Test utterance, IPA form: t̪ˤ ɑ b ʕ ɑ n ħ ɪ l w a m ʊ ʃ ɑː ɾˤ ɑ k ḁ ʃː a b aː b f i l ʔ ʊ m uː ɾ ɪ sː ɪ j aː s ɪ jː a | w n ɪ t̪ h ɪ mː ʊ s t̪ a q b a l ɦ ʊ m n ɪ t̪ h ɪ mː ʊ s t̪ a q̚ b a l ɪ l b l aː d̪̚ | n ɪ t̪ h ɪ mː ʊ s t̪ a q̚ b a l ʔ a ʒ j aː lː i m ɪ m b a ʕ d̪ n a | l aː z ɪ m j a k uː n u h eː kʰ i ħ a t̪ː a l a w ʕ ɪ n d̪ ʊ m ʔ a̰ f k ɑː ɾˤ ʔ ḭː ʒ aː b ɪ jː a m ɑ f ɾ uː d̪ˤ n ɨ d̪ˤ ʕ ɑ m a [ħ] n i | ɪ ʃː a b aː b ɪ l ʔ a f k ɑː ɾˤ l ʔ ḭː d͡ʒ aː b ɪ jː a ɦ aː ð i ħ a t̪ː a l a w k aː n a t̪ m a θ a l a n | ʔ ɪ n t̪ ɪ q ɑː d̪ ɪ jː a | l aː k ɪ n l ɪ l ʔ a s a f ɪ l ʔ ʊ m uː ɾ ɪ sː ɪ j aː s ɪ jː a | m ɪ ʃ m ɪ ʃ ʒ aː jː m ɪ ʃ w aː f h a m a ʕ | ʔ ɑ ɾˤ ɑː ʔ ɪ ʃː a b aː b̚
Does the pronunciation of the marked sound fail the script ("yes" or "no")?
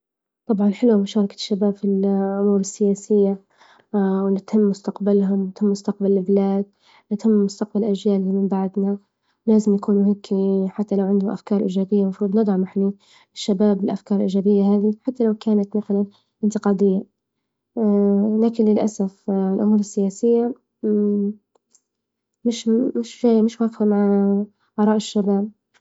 no